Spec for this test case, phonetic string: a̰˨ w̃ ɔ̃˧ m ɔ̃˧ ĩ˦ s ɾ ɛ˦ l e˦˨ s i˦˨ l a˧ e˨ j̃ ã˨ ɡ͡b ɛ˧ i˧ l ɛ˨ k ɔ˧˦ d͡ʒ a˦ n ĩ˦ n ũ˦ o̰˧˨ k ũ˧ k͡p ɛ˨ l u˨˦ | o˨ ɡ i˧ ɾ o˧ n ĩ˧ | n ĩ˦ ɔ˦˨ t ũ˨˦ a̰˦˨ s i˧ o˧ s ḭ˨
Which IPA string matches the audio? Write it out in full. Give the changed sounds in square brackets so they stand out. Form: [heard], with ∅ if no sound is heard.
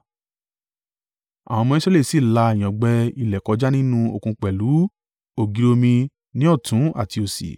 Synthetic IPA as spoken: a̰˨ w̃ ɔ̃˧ m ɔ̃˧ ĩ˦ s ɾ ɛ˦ l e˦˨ s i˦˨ l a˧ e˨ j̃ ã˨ ɡ͡b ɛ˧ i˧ l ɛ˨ k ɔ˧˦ d͡ʒ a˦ n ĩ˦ n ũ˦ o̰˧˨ k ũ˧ k͡p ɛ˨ l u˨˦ | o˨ ɡ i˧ ɾ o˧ [m] ĩ˧ | n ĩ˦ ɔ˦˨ t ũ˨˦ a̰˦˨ [t] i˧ o˧ s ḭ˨